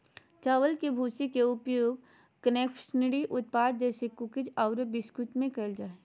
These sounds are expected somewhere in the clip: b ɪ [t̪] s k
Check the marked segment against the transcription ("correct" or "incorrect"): incorrect